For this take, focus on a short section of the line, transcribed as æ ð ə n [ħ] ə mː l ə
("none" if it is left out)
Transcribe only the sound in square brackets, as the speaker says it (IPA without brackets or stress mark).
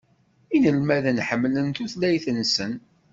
ħ